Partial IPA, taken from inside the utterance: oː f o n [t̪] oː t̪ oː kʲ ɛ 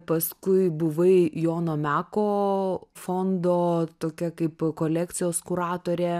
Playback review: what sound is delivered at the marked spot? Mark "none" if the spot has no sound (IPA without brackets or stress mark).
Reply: d̪